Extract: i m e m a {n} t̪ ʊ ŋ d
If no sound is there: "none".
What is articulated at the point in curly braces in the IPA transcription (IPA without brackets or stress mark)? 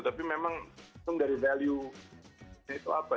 ŋ